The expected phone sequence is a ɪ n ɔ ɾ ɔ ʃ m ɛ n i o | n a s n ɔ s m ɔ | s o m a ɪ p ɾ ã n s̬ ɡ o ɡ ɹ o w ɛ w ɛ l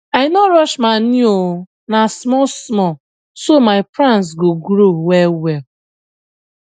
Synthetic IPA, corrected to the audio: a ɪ n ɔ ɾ ɔ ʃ m a n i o | n a s m ɔ s m ɔ | s o m a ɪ p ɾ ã n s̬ ɡ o ɡ ɾ o w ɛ w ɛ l